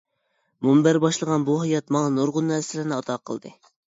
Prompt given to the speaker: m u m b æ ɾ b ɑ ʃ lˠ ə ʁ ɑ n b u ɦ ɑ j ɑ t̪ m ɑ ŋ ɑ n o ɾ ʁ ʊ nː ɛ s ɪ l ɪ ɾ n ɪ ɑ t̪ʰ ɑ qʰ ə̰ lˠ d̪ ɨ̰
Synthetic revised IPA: m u m b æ ɾ b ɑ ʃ lˠ ə ʁ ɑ n b u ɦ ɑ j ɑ t̪ m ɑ ŋ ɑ n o ɾ ʁ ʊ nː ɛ s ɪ l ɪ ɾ n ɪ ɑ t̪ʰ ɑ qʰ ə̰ lˠ d̪ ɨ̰

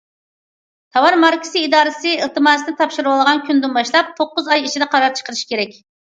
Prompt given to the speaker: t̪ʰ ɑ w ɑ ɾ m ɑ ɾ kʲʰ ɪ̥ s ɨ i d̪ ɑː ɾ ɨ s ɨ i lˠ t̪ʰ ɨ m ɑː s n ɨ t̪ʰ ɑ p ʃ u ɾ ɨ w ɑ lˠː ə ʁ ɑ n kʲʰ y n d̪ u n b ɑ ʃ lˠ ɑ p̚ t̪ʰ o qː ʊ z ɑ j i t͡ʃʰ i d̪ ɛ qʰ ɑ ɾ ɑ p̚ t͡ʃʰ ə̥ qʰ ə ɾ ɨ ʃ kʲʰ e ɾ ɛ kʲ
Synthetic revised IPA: t̪ʰ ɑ w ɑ ɾ m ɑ ɾ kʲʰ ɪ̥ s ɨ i d̪ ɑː ɾ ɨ s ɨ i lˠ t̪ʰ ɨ m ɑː s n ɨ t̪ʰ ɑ p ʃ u ɾ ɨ w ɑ lˠ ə ʁ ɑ n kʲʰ y n d̪ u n b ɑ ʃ lˠ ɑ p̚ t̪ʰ o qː ʊ z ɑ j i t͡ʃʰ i d̪ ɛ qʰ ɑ ɾ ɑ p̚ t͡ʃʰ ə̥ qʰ ə ɾ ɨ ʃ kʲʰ e ɾ ɛ kʲ

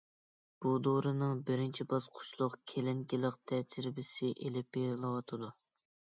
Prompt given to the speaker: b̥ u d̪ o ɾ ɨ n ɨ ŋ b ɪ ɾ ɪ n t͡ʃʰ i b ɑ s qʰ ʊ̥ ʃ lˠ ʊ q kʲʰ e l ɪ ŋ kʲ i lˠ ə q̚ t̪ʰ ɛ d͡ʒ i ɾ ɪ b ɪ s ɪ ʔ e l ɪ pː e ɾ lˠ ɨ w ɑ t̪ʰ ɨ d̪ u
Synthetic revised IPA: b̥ u d̪ o ɾ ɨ n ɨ ŋ b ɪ ɾ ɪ n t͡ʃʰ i b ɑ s qʰ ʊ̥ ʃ lˠ ʊ q kʲʰ e l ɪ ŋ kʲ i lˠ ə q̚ t̪ʰ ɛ d͡ʒ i ɾ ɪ b ɪ s ɪ ʔ e l ɪ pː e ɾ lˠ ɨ w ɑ t̪ʰ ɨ d̪ u

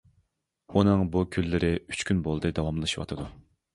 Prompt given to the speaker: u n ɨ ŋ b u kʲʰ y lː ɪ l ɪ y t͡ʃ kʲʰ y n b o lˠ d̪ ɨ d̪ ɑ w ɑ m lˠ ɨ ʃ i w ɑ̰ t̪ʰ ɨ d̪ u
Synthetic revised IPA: u n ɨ ŋ b u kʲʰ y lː ɪ ɾ ɪ y t͡ʃ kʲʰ y n b o lˠ d̪ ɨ d̪ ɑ w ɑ m lˠ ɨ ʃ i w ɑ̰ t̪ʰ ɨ d̪ u

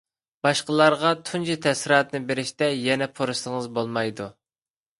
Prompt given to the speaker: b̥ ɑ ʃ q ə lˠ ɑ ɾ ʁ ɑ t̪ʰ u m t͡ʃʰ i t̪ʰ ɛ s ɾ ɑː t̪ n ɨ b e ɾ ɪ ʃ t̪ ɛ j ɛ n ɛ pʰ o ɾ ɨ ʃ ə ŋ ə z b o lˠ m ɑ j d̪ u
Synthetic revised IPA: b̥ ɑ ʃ q ə lˠ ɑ ɾ ʁ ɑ t̪ʰ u n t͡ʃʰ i t̪ʰ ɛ s ɾ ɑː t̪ n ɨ b e ɾ ɪ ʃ t̪ ɛ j ɛ n ɛ pʰ o ɾ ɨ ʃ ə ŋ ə z b o lˠ m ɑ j d̪ u

